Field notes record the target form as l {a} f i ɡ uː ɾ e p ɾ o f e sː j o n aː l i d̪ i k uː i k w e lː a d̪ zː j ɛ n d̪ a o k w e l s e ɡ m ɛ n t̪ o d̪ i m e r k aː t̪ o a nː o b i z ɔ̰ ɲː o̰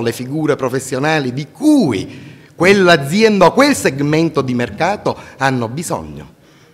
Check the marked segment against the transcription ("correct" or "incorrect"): incorrect